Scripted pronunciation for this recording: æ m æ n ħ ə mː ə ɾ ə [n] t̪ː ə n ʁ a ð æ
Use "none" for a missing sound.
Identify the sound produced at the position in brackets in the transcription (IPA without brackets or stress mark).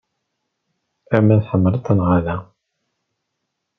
none